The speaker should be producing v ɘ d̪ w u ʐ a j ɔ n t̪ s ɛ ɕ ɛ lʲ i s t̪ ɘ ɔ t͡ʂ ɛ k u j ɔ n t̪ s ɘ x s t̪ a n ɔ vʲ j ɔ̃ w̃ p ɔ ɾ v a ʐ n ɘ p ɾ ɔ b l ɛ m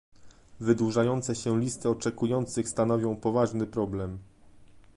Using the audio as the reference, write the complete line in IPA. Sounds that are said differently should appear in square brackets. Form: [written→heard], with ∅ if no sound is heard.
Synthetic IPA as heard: v ɘ d̪ w u ʐ a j ɔ n t̪ s ɛ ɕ ɛ lʲ i s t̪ ɘ ɔ t͡ʂ ɛ k u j ɔ n t̪ s ɘ x s t̪ a n ɔ vʲ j ɔ̃ w̃ p ɔ [ɾ→∅] v a ʐ n ɘ p ɾ ɔ b l ɛ m